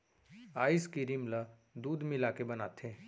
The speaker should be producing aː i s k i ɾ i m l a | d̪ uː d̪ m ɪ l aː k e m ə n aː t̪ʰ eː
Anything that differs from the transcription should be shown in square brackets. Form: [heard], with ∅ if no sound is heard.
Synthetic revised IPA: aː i s k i ɾ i m l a | d̪ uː d̪ m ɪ l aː k e [b] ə n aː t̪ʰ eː